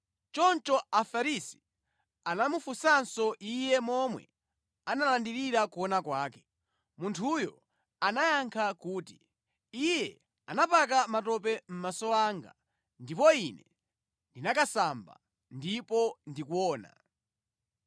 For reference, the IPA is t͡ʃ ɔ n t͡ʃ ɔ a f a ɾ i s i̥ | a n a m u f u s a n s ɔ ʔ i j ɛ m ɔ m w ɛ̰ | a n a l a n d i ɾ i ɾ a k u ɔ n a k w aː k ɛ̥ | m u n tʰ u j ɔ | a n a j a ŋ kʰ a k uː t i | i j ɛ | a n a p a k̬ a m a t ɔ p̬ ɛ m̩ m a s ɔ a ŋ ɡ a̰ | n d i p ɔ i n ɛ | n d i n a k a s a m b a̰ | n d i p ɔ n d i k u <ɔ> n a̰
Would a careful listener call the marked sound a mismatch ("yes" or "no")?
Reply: yes